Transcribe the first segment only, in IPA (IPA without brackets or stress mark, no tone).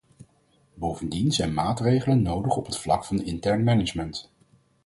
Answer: b